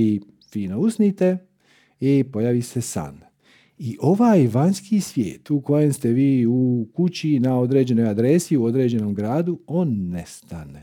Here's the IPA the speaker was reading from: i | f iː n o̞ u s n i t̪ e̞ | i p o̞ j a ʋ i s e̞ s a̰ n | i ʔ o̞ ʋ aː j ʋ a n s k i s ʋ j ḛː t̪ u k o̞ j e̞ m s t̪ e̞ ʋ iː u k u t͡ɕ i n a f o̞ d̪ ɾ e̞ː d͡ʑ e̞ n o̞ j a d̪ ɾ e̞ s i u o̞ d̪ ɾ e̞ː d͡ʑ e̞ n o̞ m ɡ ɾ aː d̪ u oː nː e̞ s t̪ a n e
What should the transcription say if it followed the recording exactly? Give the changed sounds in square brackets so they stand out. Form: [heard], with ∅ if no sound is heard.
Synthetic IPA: i | f iː n o̞ u s n i t̪ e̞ | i p o̞ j a ʋ i s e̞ s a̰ n | i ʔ o̞ ʋ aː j ʋ a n s k i s ʋ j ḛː t̪ u k o̞ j e̞ m s t̪ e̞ ʋ iː u k u t͡ɕ i n a [∅] o̞ d̪ ɾ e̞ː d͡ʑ e̞ n o̞ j a d̪ ɾ e̞ s i u o̞ d̪ ɾ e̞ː d͡ʑ e̞ n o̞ m ɡ ɾ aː d̪ u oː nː e̞ s t̪ a n e